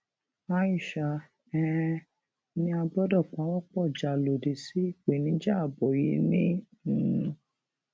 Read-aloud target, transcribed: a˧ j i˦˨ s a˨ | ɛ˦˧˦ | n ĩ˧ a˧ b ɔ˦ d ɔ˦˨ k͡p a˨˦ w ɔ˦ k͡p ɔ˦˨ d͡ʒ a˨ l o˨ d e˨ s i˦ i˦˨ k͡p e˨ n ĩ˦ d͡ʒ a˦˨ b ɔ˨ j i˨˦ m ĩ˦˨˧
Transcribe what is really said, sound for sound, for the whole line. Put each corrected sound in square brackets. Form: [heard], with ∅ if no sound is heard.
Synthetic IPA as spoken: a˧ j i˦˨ [ʃ] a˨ | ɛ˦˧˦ | n ĩ˧ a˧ b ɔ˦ d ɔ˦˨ k͡p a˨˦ w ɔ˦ k͡p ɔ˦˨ d͡ʒ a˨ l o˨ d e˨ s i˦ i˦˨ k͡p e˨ n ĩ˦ d͡ʒ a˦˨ b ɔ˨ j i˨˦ [n] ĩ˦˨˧